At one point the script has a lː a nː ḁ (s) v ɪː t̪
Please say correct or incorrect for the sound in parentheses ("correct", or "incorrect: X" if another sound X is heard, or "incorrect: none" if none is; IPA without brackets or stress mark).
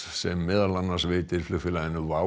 correct